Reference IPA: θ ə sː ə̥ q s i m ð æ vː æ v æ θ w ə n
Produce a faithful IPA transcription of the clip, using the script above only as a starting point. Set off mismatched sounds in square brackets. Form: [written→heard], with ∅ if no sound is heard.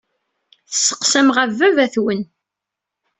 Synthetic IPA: θ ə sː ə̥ q s [i→æ] m [ð→ʁ] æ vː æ v æ θ w ə n

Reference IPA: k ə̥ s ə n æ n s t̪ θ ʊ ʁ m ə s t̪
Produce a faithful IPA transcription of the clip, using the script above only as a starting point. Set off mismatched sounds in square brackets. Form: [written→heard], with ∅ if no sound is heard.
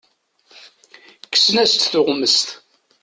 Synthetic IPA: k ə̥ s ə n æ [n→∅] s t̪ θ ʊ ʁ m ə s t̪

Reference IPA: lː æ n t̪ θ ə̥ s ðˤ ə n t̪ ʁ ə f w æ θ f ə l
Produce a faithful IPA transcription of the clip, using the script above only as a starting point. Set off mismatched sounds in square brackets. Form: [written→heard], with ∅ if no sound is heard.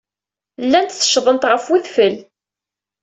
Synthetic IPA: lː æ n t̪ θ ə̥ [s→ʃ] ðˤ ə n t̪ ʁ ə f w [æ→i] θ f ə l

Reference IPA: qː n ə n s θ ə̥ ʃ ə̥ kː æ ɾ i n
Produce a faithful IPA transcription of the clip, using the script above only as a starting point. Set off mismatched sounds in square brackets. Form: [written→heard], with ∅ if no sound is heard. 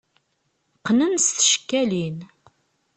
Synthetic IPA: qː n ə n s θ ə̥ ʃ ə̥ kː æ [ɾ→l] i n

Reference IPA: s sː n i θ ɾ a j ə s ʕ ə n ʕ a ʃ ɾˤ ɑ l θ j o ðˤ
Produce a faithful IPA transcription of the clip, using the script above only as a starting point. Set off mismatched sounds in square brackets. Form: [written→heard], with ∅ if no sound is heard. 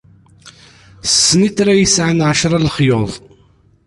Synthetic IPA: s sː n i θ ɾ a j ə s ʕ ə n ʕ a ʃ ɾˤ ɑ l [θ→χ] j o ðˤ

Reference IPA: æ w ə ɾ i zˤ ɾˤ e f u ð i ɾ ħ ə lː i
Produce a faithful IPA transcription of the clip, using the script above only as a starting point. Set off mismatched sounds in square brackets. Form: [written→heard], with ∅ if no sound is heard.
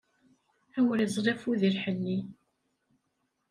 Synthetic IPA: æ w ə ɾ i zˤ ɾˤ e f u ð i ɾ ħ ə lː i

